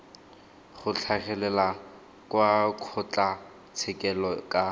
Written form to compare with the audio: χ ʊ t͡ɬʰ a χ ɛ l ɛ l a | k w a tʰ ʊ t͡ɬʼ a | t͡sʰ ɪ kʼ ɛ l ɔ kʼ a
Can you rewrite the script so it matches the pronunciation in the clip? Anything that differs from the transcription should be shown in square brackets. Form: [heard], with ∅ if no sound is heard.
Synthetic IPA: χ ʊ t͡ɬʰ a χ ɛ l ɛ l a | k w a [kʰ] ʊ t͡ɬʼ a | t͡sʰ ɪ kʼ ɛ l ɔ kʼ a